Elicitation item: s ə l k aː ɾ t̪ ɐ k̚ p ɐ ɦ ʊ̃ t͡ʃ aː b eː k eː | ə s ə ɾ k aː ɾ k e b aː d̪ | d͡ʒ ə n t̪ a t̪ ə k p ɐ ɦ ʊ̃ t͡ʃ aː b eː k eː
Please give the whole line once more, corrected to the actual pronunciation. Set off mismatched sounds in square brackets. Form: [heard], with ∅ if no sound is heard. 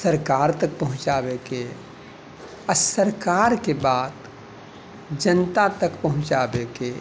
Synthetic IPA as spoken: s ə [ɾ] k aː ɾ t̪ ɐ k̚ p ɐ ɦ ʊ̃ t͡ʃ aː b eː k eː | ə s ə ɾ k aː ɾ k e b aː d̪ | d͡ʒ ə n t̪ a t̪ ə k p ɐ ɦ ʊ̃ t͡ʃ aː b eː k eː

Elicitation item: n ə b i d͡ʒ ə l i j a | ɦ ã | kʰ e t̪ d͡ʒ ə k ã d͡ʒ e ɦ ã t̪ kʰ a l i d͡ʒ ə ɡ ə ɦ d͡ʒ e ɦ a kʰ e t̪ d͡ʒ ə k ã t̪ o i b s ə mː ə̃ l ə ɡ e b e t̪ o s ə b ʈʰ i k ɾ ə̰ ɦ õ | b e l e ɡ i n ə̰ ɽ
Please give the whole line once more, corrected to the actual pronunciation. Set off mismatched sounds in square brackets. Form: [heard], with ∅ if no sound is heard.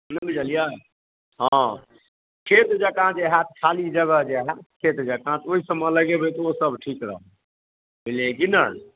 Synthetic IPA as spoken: n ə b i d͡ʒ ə l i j a | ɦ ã | kʰ e t̪ d͡ʒ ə k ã d͡ʒ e ɦ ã t̪ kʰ a l i d͡ʒ ə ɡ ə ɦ d͡ʒ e ɦ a kʰ e t̪ d͡ʒ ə k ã t̪ o i [∅] s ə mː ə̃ l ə ɡ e b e t̪ o s ə b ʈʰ i k ɾ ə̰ ɦ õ | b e l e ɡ i n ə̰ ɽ

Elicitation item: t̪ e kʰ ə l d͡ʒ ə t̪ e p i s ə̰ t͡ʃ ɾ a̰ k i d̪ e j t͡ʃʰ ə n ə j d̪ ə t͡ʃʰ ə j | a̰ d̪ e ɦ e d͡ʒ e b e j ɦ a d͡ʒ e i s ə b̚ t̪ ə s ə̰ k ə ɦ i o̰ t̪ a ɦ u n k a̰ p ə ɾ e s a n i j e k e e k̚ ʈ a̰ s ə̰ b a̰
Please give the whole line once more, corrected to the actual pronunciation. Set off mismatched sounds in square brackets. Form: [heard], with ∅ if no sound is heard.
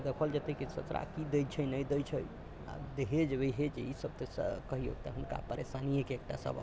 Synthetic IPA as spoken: [d̪] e kʰ ə l d͡ʒ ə t̪ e [k] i s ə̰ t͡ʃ ɾ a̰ k i d̪ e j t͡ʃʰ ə n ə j d̪ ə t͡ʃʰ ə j | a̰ d̪ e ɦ e d͡ʒ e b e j ɦ [e] d͡ʒ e i s ə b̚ t̪ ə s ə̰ k ə ɦ i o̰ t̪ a ɦ u n k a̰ p ə ɾ e s a n i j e k e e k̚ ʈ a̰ s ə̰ b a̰

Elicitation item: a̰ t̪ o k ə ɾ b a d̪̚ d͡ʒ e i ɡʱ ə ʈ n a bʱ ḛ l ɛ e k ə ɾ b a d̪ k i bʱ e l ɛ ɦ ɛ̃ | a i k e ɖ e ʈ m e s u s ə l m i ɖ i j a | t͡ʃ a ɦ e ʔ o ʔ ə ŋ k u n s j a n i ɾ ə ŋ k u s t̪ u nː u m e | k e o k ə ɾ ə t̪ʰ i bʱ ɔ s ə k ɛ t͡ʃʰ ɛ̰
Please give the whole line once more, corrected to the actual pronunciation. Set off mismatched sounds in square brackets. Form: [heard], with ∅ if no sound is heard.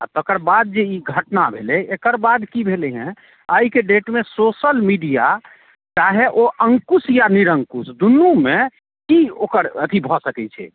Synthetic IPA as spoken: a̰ t̪ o k ə ɾ b a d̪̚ d͡ʒ e i ɡʱ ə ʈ n a bʱ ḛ l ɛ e k ə ɾ b a d̪ k i bʱ e l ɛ ɦ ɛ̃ | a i k e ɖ e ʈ m e s [o] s ə l m i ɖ i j a | t͡ʃ a ɦ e ʔ o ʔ ə ŋ k u [∅] s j a n i ɾ ə ŋ k u s [d̪] u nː u m e | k [i] o k ə ɾ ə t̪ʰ i bʱ ɔ s ə k ɛ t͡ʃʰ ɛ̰

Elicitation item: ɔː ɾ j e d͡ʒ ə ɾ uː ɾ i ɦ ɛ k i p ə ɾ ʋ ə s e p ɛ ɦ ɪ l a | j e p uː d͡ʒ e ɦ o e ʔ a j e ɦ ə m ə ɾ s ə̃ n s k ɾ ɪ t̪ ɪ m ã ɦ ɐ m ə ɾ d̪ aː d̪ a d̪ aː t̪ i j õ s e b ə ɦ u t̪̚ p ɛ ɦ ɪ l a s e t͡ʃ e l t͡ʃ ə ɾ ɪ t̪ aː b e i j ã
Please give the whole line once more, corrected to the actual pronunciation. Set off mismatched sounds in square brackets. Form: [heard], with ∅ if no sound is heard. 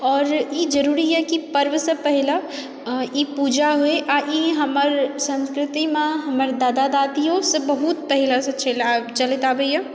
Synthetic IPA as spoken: ɔː ɾ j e d͡ʒ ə ɾ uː ɾ i ɦ ɛ k i p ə ɾ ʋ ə s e p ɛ ɦ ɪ l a | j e p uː d͡ʒ [a] ɦ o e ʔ a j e ɦ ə m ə ɾ s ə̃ n s k ɾ ɪ t̪ [i] m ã ɦ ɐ m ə ɾ d̪ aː d̪ a d̪ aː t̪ i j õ s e b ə ɦ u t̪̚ p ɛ ɦ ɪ l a s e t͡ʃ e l t͡ʃ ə [l] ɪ t̪ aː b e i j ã

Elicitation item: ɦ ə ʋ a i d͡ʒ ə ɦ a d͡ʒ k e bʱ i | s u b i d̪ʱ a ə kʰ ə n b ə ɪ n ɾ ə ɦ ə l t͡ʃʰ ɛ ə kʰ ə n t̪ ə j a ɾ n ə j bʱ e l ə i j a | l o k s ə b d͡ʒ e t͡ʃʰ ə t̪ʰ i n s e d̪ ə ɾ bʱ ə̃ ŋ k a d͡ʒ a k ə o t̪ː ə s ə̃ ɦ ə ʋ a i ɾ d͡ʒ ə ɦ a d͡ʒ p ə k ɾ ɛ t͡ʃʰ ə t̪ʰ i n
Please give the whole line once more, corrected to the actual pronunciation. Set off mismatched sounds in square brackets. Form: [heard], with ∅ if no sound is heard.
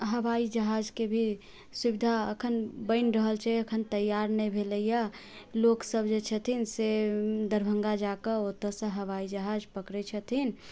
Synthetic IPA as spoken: ɦ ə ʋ a i d͡ʒ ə ɦ a d͡ʒ k e bʱ i | s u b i d̪ʱ a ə kʰ ə n b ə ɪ n ɾ ə ɦ ə l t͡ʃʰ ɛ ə kʰ ə n t̪ ə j a ɾ n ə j bʱ e l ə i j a | l o k s ə b d͡ʒ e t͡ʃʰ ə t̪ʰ i n s e d̪ ə ɾ bʱ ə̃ ŋ [ɡ] a d͡ʒ a k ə o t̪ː ə s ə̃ ɦ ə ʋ a i [∅] d͡ʒ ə ɦ a d͡ʒ p ə k ɾ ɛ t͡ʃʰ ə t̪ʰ i n

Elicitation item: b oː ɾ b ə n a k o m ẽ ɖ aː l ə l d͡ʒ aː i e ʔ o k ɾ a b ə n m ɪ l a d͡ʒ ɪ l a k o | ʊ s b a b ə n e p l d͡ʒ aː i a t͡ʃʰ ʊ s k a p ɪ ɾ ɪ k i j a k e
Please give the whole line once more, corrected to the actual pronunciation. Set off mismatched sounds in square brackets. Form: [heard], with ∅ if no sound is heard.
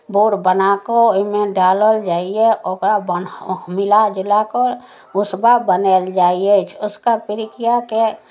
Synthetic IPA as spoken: b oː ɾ b ə n a k o m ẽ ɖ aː l ə l d͡ʒ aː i e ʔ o k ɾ a b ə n m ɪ l a d͡ʒ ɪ l a k o | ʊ s b a b ə n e [∅] l d͡ʒ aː i [e] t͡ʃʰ ʊ s k a p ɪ ɾ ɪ k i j a k e

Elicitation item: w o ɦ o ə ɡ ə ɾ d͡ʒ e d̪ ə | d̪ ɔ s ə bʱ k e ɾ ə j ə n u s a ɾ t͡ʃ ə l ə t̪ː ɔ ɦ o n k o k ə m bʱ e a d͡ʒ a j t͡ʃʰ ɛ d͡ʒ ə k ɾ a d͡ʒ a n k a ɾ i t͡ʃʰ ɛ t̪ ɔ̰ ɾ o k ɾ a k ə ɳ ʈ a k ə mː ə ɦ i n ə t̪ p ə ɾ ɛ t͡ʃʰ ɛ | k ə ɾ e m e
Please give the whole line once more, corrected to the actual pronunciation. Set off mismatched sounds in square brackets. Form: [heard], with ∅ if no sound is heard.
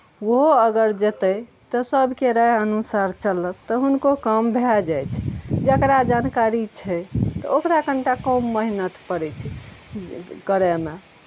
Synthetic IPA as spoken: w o ɦ o ə ɡ ə ɾ d͡ʒ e [t̪] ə | [t̪] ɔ s ə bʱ k e ɾ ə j ə n u s a ɾ t͡ʃ ə l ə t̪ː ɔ ɦ [u] n k o k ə m bʱ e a d͡ʒ a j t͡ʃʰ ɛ d͡ʒ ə k ɾ a d͡ʒ a n k a ɾ i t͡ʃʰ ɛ t̪ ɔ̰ [∅] o k ɾ a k ə ɳ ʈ a k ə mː ə ɦ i n ə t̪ p ə ɾ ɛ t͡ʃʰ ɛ | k ə ɾ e m e

